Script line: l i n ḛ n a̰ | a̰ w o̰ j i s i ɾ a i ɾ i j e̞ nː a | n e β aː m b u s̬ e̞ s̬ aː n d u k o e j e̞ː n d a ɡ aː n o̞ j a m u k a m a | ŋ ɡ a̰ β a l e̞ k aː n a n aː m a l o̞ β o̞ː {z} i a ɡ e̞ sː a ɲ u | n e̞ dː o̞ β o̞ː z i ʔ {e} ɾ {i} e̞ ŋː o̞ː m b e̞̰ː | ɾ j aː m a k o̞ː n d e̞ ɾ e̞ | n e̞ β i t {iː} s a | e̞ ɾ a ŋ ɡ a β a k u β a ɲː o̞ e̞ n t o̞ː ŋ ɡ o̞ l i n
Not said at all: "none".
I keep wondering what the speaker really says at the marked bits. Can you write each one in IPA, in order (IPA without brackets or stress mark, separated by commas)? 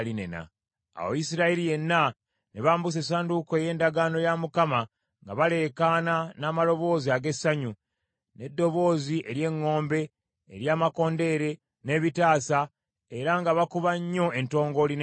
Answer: z, e, j, aː